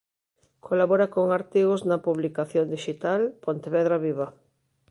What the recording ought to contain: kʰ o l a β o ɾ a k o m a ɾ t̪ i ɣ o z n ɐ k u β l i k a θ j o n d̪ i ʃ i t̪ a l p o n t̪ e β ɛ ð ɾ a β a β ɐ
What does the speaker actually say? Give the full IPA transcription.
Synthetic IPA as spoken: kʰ o l a β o ɾ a k o ŋ a ɾ t̪ i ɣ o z n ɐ p u β l i k a θ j o n d̪ i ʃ i t̪ a l p o n t̪ e β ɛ ð ɾ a β i β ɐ